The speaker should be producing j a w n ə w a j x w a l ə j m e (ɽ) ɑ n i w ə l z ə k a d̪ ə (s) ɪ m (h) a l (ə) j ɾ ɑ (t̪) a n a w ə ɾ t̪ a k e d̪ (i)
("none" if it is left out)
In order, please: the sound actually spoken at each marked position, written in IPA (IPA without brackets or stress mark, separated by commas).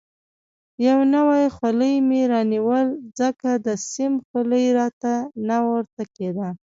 ɾ, s, x, ə, t̪, a